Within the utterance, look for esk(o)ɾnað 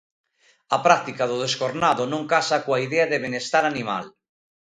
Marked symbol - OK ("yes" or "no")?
yes